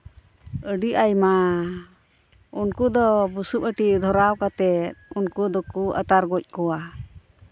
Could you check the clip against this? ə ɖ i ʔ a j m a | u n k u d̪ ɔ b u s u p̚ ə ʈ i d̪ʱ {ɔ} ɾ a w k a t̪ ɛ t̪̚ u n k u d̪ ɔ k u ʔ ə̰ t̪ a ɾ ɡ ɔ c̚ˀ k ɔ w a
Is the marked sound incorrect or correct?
correct